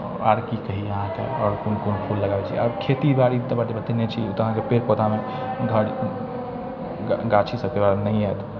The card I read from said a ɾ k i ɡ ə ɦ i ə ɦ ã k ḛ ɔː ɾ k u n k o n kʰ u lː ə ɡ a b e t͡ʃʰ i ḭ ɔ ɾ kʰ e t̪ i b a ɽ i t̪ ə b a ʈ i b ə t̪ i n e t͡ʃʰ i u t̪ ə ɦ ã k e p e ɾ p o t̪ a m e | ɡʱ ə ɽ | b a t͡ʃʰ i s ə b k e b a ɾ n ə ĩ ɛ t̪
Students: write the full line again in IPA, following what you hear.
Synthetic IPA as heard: a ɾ k i k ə ɦ i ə ɦ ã k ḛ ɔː ɾ k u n k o n pʰ u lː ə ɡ a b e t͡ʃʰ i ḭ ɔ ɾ kʰ e t̪ i b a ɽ i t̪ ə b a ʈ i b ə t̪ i n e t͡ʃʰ i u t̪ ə ɦ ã k e p e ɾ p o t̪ a m e | ɡʱ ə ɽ | ɡ a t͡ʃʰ i s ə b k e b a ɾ n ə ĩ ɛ t̪

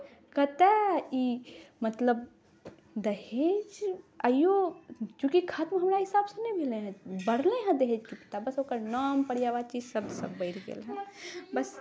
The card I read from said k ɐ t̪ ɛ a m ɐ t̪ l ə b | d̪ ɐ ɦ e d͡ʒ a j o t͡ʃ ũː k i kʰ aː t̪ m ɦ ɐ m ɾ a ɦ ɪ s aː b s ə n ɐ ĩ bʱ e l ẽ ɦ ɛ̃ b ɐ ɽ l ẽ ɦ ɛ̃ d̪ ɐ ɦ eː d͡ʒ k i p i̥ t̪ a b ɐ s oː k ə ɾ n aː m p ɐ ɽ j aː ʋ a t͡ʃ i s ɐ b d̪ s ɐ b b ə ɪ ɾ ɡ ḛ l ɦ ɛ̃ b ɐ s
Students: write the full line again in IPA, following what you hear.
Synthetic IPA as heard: k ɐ t̪ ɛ i m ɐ t̪ l ə b | d̪ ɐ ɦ e d͡ʒ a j o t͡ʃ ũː k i kʰ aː t̪ m ɦ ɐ m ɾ a ɦ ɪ s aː b s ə n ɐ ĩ bʱ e l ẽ ɦ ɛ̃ b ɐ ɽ l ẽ ɦ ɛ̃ d̪ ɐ ɦ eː d͡ʒ k i p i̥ t̪ a b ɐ s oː k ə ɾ n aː m p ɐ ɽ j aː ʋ a t͡ʃ i s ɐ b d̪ s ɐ b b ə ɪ ɾ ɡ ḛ l ɦ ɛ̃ b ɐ s

